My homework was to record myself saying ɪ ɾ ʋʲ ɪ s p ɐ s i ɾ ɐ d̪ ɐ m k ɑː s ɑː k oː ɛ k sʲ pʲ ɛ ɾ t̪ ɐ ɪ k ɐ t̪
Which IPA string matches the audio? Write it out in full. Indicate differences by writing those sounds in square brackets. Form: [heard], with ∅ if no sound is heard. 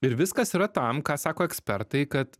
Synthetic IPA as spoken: ɪ ɾ ʋʲ ɪ s [k] ɐ s i ɾ ɐ [t̪] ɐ m k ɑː s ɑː k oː ɛ k sʲ pʲ ɛ ɾ t̪ ɐ ɪ k ɐ t̪